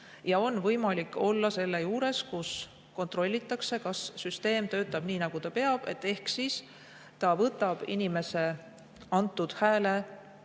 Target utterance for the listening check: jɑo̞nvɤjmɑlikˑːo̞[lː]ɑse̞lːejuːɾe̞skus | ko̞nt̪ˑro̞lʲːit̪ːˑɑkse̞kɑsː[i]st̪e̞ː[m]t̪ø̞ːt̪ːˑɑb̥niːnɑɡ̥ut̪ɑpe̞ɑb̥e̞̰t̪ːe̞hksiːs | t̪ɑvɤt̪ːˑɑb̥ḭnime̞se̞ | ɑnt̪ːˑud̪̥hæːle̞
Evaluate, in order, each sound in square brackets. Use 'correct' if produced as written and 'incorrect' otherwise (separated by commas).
correct, incorrect, correct